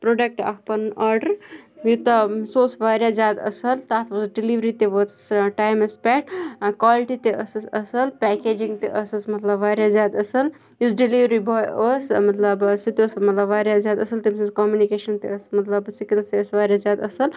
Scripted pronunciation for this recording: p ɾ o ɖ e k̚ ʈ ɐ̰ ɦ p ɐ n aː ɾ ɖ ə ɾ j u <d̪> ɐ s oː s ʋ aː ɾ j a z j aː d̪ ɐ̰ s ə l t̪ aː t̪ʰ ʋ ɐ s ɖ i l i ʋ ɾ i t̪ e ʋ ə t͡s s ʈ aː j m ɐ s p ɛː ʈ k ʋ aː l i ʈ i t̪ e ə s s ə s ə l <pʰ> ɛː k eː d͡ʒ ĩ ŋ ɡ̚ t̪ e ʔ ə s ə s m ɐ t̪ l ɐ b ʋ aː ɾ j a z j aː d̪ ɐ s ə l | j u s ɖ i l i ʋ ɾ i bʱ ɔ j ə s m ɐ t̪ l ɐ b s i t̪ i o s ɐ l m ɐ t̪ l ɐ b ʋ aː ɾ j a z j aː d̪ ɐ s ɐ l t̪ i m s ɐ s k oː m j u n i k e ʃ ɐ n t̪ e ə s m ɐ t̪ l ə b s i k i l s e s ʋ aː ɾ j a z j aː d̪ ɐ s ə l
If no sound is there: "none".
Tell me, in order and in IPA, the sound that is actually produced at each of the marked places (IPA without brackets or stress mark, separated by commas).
t̪, p